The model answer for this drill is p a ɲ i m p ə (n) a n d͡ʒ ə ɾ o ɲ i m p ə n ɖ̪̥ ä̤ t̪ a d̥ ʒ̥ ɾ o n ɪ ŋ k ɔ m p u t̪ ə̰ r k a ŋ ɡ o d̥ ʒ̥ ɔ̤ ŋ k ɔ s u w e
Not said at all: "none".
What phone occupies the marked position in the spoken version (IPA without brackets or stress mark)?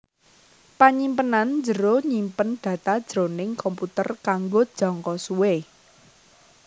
n